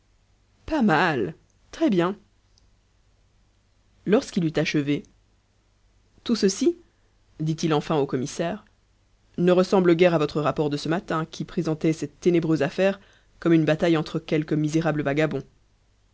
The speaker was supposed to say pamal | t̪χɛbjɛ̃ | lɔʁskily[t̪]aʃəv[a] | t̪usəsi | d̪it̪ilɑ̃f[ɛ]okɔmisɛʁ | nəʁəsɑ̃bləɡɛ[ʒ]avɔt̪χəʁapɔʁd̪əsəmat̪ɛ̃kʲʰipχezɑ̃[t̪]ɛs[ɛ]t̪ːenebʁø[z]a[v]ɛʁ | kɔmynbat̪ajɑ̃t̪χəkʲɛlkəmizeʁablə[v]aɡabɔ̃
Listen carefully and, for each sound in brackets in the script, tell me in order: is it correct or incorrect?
correct, incorrect: e, incorrect: ɛ̃, incorrect: ʁ, correct, correct, correct, incorrect: f, correct

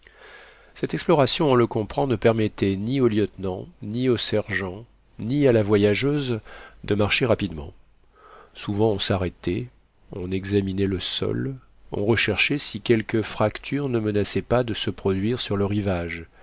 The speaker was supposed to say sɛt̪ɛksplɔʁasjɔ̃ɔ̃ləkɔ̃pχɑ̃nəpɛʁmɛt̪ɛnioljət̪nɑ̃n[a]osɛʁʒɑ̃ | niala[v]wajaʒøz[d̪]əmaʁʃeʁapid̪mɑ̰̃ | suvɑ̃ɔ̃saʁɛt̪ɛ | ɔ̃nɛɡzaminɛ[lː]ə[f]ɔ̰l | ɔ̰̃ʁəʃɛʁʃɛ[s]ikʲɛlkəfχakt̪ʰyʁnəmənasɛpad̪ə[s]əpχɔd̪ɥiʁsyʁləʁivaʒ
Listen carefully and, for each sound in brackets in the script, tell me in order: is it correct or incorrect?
incorrect: i, correct, correct, incorrect: l, incorrect: s, correct, correct

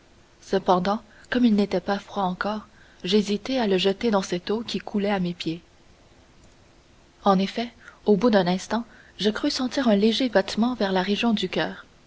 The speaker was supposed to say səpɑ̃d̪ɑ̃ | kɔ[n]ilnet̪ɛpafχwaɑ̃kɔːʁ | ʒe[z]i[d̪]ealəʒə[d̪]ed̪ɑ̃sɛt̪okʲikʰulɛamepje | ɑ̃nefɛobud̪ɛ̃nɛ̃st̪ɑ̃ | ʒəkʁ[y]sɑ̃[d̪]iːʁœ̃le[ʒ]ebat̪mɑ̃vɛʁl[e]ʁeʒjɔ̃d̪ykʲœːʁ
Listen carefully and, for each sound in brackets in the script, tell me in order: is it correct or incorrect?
incorrect: m, correct, incorrect: t̪, incorrect: t̪, correct, incorrect: t̪, correct, incorrect: a

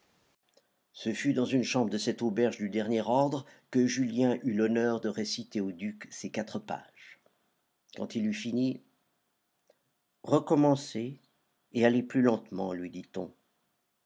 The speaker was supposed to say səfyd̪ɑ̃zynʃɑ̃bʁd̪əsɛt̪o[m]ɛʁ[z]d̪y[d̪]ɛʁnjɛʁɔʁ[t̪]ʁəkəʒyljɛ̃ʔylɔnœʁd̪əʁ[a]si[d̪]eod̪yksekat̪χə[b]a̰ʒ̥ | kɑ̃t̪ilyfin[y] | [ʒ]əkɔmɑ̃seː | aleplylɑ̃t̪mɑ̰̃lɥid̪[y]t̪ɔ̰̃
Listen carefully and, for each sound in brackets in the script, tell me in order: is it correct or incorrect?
incorrect: b, incorrect: ʒ, correct, incorrect: d̪, incorrect: e, incorrect: t̪, incorrect: p, incorrect: i, incorrect: ʁ, incorrect: i

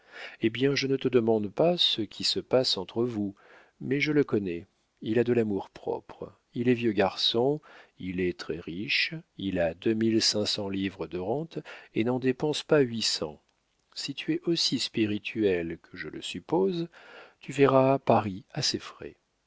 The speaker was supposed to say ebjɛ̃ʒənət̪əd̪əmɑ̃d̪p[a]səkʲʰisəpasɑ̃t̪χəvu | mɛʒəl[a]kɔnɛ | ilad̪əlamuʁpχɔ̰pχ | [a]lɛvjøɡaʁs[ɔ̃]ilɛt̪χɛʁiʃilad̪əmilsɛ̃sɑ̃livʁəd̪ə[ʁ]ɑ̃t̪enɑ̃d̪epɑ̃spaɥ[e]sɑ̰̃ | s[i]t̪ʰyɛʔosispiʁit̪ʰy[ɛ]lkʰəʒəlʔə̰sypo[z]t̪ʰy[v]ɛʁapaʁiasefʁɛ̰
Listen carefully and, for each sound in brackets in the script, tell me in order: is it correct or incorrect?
correct, incorrect: ə, incorrect: i, correct, correct, incorrect: i, correct, correct, correct, correct

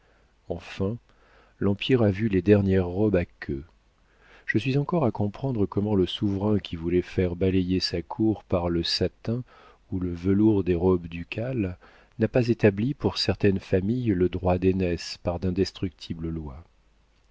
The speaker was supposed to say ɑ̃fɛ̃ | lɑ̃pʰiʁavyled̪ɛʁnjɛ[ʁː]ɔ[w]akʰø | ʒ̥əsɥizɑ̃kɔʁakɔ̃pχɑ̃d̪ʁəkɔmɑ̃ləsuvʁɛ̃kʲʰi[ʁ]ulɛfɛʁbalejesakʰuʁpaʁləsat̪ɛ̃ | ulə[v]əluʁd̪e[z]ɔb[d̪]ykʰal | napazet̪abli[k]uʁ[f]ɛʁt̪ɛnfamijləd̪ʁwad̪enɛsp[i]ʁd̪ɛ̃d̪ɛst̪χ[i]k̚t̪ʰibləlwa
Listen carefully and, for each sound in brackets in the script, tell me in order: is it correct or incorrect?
correct, incorrect: b, incorrect: v, correct, incorrect: ʁ, correct, incorrect: p, incorrect: s, incorrect: a, incorrect: y

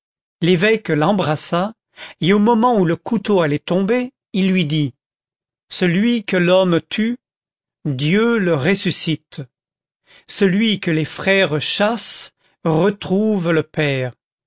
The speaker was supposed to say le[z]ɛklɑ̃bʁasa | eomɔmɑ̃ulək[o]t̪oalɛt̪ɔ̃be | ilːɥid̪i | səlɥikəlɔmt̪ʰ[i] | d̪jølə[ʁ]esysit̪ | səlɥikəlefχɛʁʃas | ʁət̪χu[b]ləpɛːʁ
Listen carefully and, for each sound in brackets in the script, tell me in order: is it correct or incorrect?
incorrect: v, incorrect: u, incorrect: y, correct, incorrect: v

